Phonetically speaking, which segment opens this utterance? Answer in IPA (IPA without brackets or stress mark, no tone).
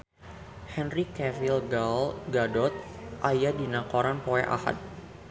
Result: h